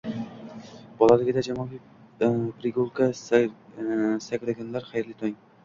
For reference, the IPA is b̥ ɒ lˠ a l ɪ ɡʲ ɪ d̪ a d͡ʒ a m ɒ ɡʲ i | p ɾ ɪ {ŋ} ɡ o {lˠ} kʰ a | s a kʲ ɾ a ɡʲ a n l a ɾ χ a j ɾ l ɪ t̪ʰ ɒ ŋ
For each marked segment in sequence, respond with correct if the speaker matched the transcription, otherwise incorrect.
incorrect: none, correct

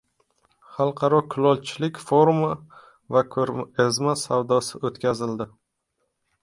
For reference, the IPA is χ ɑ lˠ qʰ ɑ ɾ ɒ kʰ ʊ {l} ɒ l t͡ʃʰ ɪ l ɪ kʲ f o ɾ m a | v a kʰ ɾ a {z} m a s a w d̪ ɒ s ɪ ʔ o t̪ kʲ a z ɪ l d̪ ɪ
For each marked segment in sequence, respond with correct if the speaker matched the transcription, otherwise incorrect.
correct, correct

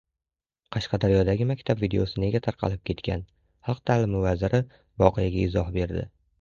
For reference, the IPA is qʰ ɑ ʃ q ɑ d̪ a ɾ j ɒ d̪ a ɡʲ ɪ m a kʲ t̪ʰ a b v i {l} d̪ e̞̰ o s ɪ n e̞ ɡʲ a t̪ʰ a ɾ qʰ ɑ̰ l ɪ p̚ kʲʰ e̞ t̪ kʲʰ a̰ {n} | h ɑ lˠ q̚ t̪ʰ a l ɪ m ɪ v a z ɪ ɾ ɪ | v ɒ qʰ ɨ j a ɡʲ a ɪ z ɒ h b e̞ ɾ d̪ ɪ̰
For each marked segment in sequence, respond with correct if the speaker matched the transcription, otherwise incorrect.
incorrect: none, correct

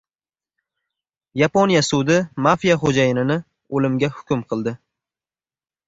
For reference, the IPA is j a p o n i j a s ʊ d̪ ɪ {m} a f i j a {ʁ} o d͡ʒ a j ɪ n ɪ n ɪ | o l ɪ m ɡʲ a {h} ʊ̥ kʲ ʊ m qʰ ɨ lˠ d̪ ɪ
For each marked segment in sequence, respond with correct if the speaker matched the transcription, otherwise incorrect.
correct, incorrect: χ, correct

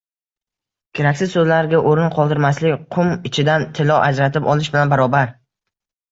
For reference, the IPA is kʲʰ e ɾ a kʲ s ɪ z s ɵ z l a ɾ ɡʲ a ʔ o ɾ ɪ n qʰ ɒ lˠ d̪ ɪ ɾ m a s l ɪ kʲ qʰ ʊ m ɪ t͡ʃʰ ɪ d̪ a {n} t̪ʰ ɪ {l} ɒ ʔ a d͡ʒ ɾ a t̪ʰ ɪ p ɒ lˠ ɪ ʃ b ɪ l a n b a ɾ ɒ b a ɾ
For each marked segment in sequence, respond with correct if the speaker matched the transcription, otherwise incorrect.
correct, correct

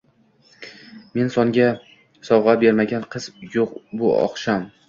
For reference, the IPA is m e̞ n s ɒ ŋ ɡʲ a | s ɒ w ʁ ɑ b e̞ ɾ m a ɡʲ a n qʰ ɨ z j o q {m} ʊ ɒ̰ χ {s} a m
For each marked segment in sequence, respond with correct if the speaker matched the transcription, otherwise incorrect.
incorrect: b, incorrect: ʃ

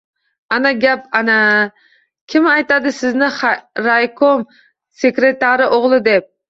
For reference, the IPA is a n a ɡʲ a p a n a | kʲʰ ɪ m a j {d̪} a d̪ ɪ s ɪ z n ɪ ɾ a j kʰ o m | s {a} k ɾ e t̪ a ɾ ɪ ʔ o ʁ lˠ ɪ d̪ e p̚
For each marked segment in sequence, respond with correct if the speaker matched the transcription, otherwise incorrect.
incorrect: t̪, incorrect: e

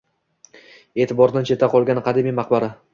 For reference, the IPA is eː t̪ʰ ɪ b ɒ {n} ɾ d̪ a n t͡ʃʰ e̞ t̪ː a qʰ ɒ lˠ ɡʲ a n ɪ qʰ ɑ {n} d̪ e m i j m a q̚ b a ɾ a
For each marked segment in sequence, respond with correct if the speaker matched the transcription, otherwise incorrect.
incorrect: none, incorrect: none

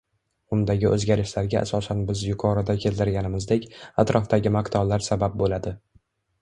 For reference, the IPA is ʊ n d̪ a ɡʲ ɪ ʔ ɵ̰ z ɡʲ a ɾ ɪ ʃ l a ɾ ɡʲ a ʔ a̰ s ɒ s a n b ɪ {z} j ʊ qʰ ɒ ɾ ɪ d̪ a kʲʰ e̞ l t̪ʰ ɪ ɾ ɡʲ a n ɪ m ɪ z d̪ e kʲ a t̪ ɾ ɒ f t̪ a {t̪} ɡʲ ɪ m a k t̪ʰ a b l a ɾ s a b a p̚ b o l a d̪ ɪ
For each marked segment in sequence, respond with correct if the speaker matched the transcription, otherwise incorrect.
correct, incorrect: none

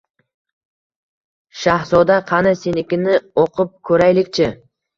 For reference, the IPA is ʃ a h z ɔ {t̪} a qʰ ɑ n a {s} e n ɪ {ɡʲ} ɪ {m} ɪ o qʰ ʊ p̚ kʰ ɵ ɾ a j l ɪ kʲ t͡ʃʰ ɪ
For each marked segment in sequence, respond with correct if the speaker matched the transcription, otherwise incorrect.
incorrect: d̪, correct, incorrect: kʲ, incorrect: n

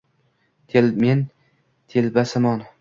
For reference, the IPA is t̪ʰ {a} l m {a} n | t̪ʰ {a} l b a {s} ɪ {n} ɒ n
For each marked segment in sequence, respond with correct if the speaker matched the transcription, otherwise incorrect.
incorrect: e, incorrect: e, incorrect: e, correct, incorrect: m

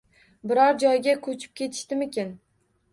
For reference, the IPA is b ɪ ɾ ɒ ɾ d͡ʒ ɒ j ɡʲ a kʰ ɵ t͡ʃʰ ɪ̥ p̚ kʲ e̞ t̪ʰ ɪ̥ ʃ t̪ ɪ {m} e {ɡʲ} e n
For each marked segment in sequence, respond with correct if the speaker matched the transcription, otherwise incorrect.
correct, incorrect: kʲ

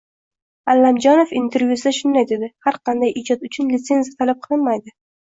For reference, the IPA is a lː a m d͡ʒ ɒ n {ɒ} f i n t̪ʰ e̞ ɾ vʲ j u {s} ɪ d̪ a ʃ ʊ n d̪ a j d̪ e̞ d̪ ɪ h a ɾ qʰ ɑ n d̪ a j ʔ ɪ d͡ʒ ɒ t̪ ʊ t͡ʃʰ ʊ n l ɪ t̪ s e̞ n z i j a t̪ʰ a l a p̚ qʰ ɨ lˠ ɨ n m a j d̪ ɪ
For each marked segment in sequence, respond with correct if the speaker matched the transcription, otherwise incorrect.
incorrect: o, correct

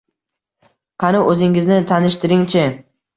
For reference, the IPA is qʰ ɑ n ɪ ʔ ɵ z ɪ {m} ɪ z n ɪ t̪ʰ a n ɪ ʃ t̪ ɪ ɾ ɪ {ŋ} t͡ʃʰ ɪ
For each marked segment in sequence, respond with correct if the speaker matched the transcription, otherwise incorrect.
incorrect: ŋ, correct

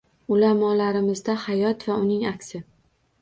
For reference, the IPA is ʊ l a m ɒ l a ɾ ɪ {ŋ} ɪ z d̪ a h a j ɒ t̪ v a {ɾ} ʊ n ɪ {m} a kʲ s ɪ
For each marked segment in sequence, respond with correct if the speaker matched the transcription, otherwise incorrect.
incorrect: m, incorrect: none, incorrect: ŋ

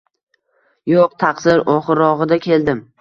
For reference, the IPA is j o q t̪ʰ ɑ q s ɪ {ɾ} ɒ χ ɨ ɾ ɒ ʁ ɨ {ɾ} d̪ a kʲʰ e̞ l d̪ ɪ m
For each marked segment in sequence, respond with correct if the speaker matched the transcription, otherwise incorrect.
correct, incorrect: none

